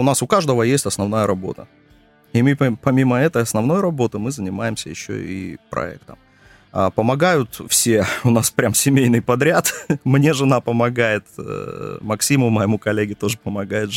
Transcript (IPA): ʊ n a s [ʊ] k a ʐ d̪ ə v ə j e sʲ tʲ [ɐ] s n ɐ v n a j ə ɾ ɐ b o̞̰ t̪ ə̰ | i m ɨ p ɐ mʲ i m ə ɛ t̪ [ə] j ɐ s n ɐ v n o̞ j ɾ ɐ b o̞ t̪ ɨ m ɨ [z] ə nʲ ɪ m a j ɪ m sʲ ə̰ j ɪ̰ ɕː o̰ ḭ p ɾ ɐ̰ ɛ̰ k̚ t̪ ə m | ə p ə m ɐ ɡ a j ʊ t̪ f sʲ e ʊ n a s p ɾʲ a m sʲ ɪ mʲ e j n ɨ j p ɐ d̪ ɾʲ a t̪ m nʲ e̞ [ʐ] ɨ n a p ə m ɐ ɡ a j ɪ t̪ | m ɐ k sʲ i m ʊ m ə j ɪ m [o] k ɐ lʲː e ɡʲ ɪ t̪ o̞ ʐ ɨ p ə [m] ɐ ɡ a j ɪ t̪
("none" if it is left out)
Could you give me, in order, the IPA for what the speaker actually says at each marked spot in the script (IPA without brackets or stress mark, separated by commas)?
ʊ, ɐ, ə, z, ʐ, u, m